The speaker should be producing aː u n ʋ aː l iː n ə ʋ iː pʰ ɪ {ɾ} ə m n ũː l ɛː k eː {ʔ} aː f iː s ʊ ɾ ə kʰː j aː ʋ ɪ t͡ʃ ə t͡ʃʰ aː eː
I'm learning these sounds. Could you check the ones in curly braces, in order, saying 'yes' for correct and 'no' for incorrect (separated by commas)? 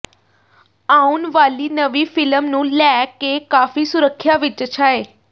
no, no